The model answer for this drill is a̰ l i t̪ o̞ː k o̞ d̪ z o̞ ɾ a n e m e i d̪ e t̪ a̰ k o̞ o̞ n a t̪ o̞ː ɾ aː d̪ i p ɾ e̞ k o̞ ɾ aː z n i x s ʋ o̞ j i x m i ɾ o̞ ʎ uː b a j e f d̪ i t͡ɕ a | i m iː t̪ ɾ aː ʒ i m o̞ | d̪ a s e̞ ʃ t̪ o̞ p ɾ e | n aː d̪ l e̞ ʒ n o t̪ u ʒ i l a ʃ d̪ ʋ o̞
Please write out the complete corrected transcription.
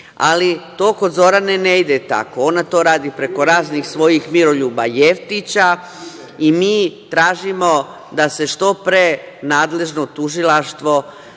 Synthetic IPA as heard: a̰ l i t̪ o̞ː k o̞ d̪ z o̞ ɾ a n e n e i d̪ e t̪ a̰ k o̞ o̞ n a t̪ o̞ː ɾ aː d̪ i p ɾ e̞ k o̞ ɾ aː z n i x s ʋ o̞ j i x m i ɾ o̞ ʎ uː b a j e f t̪ i t͡ɕ a | i m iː t̪ ɾ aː ʒ i m o̞ | d̪ a s e̞ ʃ t̪ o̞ p ɾ e | n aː d̪ l e̞ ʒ n o t̪ u ʒ i l a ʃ t̪ ʋ o̞